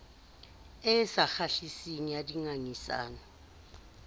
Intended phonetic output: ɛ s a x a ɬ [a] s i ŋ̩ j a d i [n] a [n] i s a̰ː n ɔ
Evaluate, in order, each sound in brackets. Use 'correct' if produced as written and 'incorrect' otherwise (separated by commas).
incorrect, incorrect, incorrect